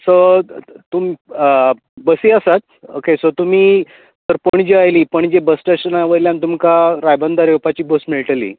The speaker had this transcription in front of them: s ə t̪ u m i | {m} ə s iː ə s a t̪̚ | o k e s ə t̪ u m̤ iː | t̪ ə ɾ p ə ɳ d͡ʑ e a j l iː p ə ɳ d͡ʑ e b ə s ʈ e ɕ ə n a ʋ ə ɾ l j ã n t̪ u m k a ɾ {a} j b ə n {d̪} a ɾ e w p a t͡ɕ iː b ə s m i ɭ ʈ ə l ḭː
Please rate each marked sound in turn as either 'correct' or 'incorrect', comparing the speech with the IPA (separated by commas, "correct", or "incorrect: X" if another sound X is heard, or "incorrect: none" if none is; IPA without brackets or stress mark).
incorrect: b, correct, correct